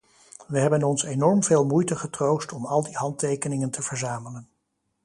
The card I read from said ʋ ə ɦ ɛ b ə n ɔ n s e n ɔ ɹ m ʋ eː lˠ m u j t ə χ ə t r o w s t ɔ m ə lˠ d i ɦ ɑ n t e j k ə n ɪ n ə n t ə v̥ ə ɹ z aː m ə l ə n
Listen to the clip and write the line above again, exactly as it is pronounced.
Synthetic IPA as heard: ʋ ə ɦ ɛ b ə n ɔ n s e n ɔ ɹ m v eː lˠ m u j t ə χ ə t r o w s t ɔ m ɑ lˠ d i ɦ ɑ n t e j k ə n ɪ ŋ ə n t ə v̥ ə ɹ z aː m ə l ə n